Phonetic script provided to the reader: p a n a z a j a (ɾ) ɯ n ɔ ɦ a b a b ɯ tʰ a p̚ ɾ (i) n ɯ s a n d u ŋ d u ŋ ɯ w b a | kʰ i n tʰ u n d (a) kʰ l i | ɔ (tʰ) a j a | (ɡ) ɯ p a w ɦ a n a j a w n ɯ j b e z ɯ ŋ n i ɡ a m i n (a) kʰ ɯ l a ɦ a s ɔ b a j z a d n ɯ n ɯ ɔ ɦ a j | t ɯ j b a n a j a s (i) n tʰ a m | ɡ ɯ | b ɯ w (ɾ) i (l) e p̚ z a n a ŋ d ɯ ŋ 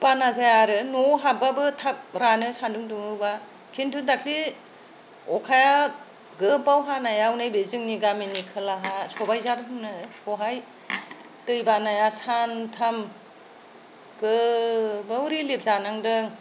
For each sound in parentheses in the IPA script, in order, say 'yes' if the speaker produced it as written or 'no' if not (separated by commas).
yes, no, yes, no, yes, no, no, yes, yes